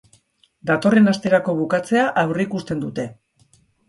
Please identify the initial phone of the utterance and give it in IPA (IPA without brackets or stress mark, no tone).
d̪